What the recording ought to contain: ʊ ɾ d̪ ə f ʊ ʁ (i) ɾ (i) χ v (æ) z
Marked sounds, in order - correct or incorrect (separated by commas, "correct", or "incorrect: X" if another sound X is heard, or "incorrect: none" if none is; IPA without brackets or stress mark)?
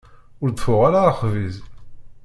incorrect: a, incorrect: a, incorrect: i